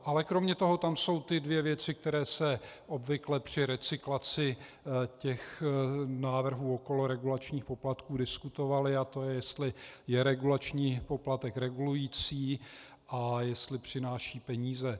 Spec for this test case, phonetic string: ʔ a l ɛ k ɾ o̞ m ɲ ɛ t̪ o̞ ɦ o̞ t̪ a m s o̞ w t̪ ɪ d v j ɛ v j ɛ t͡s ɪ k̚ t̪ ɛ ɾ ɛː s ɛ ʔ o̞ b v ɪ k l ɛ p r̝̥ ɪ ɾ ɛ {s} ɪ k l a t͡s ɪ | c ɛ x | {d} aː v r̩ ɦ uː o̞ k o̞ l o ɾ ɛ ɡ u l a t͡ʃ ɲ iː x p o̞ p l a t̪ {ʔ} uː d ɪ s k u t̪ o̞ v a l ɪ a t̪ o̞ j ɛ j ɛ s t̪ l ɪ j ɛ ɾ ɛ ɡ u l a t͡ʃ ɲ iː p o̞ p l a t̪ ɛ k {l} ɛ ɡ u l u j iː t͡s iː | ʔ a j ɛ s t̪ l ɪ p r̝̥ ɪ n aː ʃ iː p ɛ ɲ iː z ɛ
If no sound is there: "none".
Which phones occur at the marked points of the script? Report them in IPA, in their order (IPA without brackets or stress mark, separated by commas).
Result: t͡s, n, k, ɾ